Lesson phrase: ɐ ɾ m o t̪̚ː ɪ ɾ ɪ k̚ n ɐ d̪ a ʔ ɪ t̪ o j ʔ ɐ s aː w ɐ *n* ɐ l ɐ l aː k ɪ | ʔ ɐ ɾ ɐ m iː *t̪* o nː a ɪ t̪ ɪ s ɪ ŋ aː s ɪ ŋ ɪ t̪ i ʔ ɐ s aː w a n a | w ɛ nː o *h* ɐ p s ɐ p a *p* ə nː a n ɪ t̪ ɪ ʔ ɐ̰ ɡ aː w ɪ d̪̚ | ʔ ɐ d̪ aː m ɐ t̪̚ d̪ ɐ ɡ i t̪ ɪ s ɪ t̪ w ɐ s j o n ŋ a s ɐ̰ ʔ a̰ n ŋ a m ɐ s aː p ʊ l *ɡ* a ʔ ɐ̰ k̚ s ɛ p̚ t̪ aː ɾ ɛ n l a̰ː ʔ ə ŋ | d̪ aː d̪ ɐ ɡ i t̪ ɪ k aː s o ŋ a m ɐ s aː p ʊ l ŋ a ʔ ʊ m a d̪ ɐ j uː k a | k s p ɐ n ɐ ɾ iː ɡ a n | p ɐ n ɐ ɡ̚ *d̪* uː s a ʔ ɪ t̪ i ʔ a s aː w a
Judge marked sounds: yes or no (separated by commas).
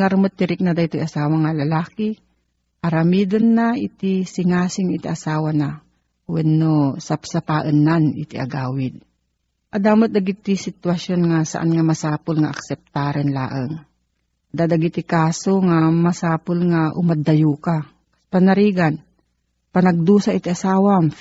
no, no, no, no, no, yes